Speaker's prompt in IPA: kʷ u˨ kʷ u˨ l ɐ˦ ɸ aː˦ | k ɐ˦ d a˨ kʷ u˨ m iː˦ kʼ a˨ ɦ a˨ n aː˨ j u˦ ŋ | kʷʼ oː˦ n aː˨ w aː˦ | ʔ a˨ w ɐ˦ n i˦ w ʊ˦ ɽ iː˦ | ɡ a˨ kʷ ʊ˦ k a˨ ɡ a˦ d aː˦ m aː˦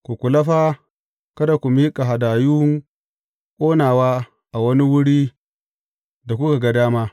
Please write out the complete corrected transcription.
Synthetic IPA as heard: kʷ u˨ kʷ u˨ l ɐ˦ ɸ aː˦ | k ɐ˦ d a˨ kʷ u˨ m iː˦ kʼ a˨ ɦ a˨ d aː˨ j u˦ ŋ | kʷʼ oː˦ n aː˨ w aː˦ | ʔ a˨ w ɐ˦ n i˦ w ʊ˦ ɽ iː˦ | d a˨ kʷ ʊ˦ k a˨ ɡ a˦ d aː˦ m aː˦